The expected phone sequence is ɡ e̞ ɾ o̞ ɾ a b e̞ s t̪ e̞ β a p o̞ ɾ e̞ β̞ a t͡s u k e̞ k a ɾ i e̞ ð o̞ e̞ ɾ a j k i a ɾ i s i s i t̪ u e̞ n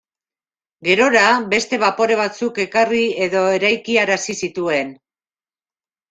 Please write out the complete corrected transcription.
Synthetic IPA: ɡ e̞ ɾ o̞ ɾ a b e̞ s t̪ e̞ β a p o̞ ɾ e̞ β̞ a t͡s u k e̞ k a r i e̞ ð o̞ e̞ ɾ a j k i a ɾ a s i s i t̪ u e̞ n